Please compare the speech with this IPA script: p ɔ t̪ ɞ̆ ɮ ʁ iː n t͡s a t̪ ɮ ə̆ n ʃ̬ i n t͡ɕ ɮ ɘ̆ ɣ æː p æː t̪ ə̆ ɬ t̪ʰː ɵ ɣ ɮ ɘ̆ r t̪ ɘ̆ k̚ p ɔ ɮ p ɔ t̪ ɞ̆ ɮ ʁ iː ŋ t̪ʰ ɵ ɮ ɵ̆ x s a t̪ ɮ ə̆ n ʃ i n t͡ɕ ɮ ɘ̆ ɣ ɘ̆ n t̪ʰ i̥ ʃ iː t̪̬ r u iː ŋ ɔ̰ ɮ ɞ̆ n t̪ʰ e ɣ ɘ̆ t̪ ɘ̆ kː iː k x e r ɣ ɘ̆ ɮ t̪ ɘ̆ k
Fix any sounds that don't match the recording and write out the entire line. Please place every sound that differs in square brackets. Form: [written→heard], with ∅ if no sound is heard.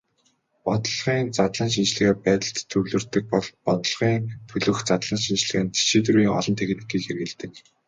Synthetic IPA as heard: p ɔ t̪ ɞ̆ ɮ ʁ iː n t͡s a t̪ ɮ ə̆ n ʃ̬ i n t͡ɕ ɮ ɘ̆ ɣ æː p æː t̪ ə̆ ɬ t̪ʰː ɵ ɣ ɮ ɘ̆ r t̪ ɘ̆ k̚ p ɔ ɮ p ɔ t̪ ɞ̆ ɮ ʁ iː ŋ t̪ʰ ɵ ɮ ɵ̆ x [s→t͡s] a t̪ ɮ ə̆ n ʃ i n t͡ɕ ɮ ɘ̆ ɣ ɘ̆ n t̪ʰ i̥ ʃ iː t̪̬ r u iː ŋ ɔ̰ ɮ ɞ̆ n t̪ʰ e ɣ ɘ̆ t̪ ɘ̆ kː iː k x e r ɣ ɘ̆ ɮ t̪ ɘ̆ k